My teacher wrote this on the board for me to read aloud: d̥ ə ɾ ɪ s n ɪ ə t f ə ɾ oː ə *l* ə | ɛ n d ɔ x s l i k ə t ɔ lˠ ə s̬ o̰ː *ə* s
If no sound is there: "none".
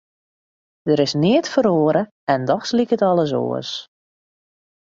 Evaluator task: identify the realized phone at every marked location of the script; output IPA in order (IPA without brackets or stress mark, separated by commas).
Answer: ɾ, ə